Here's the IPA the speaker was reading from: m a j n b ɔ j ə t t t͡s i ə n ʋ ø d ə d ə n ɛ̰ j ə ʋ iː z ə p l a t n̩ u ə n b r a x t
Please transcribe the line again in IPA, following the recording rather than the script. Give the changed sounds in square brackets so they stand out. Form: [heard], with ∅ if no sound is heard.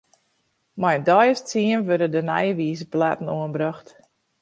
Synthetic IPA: m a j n [d] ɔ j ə [s] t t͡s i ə n ʋ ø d ə d ə n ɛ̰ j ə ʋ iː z ə p l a t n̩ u ə n b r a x t